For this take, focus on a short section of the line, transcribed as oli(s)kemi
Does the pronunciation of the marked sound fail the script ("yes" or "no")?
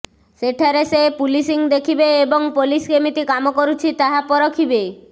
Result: no